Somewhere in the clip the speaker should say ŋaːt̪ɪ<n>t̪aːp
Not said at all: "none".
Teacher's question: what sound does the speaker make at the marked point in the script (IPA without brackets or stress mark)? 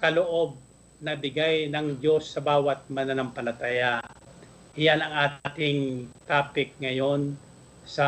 ŋ